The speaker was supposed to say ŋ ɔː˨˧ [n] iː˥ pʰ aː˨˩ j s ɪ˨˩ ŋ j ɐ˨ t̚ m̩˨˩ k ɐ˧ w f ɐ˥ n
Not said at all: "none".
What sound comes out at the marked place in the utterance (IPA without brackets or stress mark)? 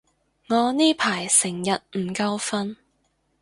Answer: n